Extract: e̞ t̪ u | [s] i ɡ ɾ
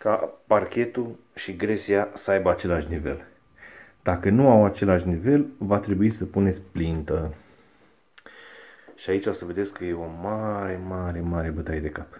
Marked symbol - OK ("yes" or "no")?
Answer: no